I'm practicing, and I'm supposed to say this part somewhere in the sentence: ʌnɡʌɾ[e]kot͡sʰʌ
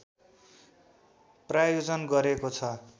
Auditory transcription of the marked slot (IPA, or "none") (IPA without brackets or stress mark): e